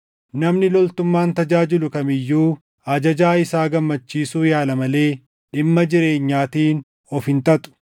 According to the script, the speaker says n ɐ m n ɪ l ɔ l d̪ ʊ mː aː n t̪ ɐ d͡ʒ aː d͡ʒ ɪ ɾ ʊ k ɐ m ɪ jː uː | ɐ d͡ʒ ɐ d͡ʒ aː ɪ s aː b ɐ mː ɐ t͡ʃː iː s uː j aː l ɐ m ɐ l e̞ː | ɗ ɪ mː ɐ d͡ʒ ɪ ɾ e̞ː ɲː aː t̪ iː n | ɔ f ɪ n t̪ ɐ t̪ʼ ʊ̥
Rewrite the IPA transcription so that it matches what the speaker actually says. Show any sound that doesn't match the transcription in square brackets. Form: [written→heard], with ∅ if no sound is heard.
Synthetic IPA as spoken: n ɐ m n ɪ l ɔ l [d̪→t̪] ʊ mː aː n t̪ ɐ d͡ʒ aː d͡ʒ ɪ [ɾ→l] ʊ k ɐ m ɪ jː uː | ɐ d͡ʒ ɐ d͡ʒ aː ɪ s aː [b→ɡ] ɐ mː ɐ t͡ʃː iː s uː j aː l ɐ m ɐ l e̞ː | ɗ ɪ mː ɐ d͡ʒ ɪ ɾ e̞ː ɲː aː t̪ iː n | ɔ f ɪ n t̪ ɐ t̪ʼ ʊ̥

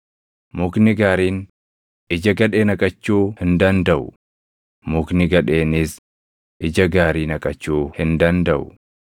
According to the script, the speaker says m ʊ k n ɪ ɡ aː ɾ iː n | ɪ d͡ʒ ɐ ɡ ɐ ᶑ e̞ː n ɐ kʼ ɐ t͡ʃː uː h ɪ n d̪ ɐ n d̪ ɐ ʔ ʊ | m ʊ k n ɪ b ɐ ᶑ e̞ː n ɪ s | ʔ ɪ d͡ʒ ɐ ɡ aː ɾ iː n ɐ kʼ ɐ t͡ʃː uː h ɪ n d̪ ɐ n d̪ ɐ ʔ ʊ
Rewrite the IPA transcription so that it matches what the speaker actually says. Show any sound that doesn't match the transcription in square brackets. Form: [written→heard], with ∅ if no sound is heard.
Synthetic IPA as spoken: m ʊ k n ɪ ɡ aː ɾ iː n | ɪ d͡ʒ ɐ ɡ ɐ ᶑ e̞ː n ɐ kʼ ɐ t͡ʃː uː h ɪ n d̪ ɐ n d̪ ɐ ʔ ʊ | m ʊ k n ɪ [b→ɡ] ɐ ᶑ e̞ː n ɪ s | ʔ ɪ d͡ʒ ɐ ɡ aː ɾ iː n ɐ kʼ ɐ t͡ʃː uː h ɪ n d̪ ɐ n d̪ ɐ ʔ ʊ

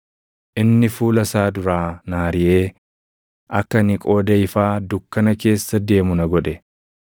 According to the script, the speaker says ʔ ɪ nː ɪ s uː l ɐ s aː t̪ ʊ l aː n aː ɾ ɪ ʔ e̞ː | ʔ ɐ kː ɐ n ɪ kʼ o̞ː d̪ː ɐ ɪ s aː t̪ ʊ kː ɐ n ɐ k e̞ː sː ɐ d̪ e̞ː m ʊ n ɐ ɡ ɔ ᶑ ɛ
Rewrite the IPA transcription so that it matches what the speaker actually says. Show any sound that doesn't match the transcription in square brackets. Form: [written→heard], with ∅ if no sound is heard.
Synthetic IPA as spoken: ʔ ɪ nː ɪ [s→f] uː l ɐ s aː [t̪→d̪] ʊ [l→ɾ] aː n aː ɾ ɪ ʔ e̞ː | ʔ ɐ kː ɐ n ɪ kʼ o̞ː [d̪ː→d̪] ɐ ɪ [s→f] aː [t̪→d̪] ʊ kː ɐ n ɐ k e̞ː sː ɐ d̪ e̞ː m ʊ n ɐ ɡ ɔ ᶑ ɛ

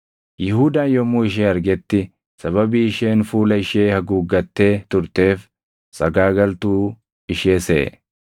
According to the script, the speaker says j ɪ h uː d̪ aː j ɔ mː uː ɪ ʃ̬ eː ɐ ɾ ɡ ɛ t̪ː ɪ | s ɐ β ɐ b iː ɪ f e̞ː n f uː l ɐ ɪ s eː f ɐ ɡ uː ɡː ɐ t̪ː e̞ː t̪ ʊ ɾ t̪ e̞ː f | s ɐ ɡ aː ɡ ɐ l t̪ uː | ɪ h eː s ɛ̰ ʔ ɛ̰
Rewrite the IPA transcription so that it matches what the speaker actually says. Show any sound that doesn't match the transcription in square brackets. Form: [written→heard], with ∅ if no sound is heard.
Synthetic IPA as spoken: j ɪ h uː d̪ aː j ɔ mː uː ɪ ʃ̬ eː ɐ ɾ ɡ ɛ t̪ː ɪ | s ɐ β ɐ b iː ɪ [f→ʃ] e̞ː n f uː l ɐ ɪ [s→ʃ] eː [f→h] ɐ ɡ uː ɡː ɐ t̪ː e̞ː t̪ ʊ ɾ t̪ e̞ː f | s ɐ ɡ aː ɡ ɐ l t̪ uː | ɪ [h→ʃ] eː s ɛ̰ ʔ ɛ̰

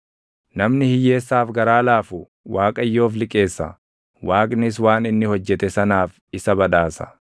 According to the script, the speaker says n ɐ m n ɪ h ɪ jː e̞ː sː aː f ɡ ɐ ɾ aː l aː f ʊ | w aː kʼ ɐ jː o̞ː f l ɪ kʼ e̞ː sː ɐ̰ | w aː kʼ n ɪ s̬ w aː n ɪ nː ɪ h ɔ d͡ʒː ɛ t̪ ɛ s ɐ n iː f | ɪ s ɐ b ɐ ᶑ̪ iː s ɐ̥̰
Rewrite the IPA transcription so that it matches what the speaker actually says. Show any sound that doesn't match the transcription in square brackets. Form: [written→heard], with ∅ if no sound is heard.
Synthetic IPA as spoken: n ɐ m n ɪ h ɪ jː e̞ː sː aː f ɡ ɐ ɾ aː l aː f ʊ | w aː kʼ ɐ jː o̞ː f l ɪ kʼ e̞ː sː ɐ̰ | w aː kʼ n ɪ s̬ w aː n ɪ nː ɪ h ɔ d͡ʒː ɛ t̪ ɛ s ɐ n [iː→aː] f | ɪ s ɐ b ɐ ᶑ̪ [iː→aː] s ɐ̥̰

